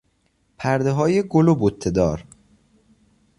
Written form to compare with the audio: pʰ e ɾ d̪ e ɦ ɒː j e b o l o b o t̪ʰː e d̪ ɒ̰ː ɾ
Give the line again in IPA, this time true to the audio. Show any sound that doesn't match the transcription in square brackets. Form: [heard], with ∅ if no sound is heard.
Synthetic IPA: pʰ [æ] ɾ d̪ e ɦ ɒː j e [ɡ] o l o b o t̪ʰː e d̪ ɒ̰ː ɾ